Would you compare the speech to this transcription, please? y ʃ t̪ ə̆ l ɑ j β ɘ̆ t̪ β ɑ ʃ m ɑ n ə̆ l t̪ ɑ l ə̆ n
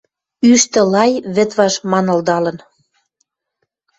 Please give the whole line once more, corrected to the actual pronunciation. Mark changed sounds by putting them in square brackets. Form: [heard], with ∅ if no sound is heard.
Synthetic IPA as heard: y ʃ t̪ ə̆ l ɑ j β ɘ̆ t̪ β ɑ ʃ m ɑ n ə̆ l [d̪] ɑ l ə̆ n